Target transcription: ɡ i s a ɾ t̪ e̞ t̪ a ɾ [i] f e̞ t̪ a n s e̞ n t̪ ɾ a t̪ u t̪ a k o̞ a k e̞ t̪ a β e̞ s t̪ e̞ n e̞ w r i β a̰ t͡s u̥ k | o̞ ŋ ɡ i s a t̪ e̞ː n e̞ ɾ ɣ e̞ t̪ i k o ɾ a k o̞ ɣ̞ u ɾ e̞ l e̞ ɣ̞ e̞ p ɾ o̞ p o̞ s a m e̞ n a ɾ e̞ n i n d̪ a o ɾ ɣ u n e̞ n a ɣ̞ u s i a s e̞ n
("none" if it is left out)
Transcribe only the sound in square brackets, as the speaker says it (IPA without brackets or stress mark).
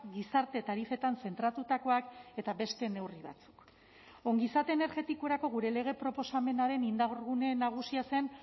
i